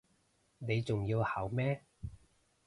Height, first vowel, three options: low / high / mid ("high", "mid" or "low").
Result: mid